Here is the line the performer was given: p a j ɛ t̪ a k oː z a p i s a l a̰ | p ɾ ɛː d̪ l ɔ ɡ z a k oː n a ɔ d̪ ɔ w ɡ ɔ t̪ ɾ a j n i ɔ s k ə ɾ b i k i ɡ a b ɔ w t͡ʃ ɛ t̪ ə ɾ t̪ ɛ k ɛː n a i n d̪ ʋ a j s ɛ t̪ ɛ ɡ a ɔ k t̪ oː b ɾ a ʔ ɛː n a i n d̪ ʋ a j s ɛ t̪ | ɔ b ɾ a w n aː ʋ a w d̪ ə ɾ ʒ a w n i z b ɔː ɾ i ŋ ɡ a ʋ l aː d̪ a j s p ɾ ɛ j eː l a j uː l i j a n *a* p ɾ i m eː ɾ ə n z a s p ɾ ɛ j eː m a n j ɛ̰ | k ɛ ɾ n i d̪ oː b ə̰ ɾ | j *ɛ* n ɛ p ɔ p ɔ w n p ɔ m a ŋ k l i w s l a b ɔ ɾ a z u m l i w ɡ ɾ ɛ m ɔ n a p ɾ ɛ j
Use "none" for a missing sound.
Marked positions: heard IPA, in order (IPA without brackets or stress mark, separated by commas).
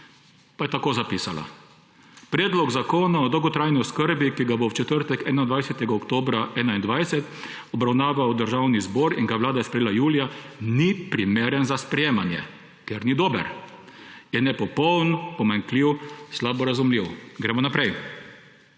i, ɛ